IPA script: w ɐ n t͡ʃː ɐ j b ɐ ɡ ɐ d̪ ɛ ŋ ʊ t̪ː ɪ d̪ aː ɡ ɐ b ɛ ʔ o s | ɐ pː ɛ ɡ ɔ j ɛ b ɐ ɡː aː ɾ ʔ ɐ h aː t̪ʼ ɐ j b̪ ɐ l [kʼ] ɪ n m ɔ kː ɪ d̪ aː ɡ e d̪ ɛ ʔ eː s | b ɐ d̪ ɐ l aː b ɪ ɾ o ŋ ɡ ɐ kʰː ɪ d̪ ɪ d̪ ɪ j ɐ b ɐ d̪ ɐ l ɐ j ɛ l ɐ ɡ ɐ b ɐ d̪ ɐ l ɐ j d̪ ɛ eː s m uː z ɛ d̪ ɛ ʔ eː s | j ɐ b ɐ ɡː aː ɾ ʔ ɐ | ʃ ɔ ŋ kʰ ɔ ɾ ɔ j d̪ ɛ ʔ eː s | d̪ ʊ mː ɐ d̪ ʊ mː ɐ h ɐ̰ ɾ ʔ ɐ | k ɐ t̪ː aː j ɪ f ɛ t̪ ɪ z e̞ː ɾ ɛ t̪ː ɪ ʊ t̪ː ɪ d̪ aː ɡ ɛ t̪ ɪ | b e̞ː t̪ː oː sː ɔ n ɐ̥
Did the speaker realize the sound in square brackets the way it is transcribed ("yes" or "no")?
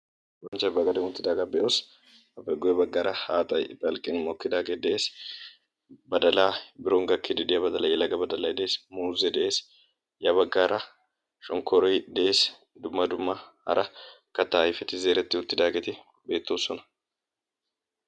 yes